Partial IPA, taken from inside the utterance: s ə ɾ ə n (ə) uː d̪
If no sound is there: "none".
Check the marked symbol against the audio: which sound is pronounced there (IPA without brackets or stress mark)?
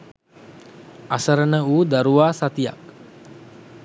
ə